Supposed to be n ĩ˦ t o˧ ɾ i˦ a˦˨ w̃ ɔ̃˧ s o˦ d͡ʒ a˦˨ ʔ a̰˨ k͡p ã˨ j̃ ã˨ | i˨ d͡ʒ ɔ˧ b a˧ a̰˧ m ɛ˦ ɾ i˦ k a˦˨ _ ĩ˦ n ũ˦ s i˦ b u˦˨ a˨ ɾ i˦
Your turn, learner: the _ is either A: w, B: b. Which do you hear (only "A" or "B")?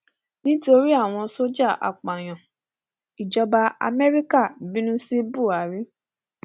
B